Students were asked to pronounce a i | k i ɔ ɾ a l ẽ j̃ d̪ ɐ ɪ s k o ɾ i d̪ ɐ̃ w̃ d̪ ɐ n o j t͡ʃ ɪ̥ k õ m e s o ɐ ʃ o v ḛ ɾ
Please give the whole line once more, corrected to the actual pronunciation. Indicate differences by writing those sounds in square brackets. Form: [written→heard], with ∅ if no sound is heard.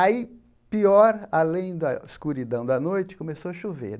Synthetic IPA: a i | [k→p] i ɔ ɾ a l ẽ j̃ d̪ ɐ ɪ s k [o→u] ɾ i d̪ ɐ̃ w̃ d̪ ɐ n o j t͡ʃ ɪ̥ k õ m e s o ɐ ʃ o v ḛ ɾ